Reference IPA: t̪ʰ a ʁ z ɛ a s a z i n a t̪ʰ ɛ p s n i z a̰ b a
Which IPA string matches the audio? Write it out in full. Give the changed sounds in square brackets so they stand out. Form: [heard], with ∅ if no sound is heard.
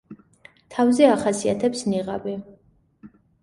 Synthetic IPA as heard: t̪ʰ a [v] z ɛ a [χ] a [s] i [∅] a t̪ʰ ɛ p s n i [ʁ] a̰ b [i]